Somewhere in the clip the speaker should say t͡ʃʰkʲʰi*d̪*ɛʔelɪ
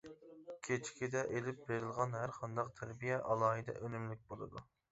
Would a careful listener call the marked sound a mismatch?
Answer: no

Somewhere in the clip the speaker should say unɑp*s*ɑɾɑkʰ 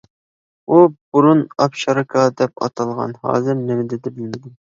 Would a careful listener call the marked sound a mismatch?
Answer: yes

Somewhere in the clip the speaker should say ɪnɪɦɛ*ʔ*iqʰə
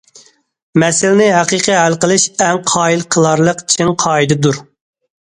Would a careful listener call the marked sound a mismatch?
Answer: yes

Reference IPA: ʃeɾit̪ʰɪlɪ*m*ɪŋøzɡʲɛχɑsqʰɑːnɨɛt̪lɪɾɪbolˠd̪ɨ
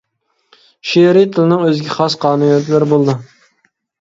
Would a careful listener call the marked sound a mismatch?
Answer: yes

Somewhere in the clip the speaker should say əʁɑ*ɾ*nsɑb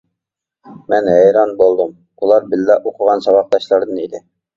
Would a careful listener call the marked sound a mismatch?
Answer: yes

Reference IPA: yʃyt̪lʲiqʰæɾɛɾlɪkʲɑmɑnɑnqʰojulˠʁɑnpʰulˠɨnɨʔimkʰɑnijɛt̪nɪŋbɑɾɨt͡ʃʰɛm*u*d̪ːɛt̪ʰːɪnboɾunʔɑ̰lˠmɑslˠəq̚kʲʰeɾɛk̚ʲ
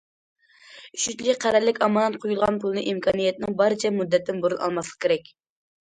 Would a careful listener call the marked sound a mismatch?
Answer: no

